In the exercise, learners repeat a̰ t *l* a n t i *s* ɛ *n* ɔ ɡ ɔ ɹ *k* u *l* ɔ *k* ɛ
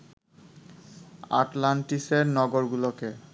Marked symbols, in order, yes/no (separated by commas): yes, yes, yes, no, yes, yes